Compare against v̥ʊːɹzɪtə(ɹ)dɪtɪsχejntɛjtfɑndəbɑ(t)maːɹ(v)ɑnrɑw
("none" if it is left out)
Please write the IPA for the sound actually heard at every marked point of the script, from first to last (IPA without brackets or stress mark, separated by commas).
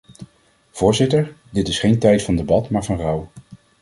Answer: ɹ, t, v